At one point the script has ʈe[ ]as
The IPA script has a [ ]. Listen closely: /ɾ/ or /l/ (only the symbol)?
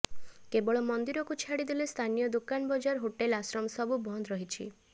l